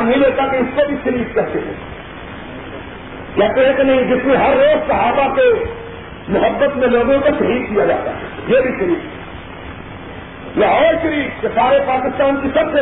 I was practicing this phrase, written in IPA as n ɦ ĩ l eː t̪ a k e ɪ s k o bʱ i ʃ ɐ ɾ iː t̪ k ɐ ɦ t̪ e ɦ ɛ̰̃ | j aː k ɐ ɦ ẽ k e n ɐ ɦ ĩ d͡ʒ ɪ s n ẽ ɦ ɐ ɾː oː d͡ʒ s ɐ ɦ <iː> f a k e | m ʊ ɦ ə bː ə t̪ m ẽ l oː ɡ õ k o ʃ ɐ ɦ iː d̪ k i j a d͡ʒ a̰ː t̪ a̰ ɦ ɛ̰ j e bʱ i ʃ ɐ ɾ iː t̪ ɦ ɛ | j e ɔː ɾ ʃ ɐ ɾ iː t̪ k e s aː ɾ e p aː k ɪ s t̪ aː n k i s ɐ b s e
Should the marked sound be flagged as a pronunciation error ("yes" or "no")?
yes